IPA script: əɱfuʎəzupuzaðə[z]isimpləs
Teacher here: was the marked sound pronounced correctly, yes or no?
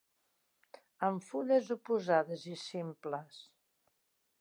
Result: yes